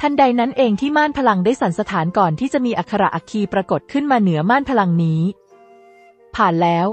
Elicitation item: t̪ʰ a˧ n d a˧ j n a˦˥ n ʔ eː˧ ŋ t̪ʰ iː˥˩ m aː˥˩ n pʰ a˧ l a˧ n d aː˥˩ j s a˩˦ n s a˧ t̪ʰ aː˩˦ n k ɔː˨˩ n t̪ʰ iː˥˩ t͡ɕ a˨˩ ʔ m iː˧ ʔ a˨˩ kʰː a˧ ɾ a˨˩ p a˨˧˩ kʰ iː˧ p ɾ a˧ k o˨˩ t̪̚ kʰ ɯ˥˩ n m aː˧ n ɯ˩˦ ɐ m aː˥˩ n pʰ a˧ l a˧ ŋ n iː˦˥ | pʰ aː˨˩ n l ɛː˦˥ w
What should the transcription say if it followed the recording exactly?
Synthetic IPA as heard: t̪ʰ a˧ n d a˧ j n a˦˥ n ʔ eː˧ ŋ t̪ʰ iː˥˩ m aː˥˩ n pʰ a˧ l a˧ ŋ d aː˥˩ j s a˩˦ n s a˧ t̪ʰ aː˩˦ n k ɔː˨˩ n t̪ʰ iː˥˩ t͡ɕ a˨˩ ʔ m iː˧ ʔ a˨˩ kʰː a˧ ɾ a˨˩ ʔ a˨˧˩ kʰ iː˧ p ɾ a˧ k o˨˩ t̪̚ kʰ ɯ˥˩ n m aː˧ n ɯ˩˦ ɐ m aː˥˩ n pʰ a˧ l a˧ ŋ n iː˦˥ | pʰ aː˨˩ n l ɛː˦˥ w

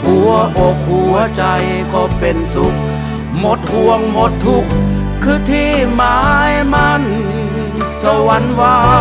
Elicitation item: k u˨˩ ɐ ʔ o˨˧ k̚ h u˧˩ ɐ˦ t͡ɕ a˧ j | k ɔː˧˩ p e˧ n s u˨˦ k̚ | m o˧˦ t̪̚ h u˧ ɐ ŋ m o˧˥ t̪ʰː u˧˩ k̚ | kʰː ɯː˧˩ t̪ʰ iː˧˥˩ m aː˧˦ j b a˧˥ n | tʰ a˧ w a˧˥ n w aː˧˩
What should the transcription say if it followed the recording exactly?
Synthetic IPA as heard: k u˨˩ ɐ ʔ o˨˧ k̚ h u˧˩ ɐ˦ t͡ɕ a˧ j | k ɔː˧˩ p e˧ n s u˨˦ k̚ | m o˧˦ t̪̚ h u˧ ə ŋ m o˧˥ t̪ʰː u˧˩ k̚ | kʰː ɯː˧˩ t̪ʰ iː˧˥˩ m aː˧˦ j m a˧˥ n | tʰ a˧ w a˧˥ n w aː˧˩

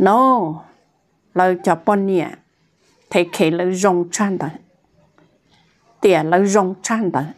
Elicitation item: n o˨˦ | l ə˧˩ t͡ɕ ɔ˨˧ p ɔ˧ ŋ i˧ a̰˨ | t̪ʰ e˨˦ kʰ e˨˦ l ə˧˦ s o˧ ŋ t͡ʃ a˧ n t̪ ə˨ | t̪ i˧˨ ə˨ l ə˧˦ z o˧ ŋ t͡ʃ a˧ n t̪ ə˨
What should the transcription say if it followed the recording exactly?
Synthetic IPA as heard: n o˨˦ | l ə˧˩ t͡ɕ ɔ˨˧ p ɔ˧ n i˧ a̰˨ | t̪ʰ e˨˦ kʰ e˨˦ l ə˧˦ z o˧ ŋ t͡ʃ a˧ n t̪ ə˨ | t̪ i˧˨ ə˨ l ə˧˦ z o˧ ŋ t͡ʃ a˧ n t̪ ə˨

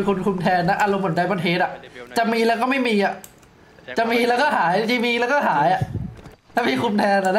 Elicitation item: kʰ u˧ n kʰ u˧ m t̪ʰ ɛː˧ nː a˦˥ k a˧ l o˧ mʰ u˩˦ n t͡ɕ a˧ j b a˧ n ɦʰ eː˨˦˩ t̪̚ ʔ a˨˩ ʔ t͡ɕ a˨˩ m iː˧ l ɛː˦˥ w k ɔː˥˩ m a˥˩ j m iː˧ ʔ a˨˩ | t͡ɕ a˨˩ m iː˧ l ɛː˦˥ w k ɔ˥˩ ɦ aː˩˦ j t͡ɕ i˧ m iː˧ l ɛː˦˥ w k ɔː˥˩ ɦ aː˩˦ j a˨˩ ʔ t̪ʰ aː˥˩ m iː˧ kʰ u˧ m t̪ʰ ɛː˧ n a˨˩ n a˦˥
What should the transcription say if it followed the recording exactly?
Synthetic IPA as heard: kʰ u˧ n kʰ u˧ m t̪ʰ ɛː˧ nː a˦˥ ʔ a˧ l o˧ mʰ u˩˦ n t͡ɕ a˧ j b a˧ n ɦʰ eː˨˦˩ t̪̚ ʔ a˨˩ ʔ t͡ɕ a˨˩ m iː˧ l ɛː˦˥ w k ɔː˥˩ m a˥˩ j m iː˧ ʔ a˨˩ | t͡ɕ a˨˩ m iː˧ l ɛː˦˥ w k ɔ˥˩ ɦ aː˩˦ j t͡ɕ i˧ m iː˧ l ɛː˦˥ w k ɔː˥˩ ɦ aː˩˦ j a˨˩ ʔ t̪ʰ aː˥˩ m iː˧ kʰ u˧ m t̪ʰ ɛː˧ n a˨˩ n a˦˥

